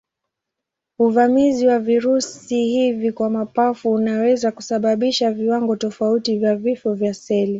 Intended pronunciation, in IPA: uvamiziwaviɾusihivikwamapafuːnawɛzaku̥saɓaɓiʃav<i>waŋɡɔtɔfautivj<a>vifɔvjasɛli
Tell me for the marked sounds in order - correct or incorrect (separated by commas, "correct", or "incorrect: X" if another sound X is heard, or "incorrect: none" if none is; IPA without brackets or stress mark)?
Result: correct, correct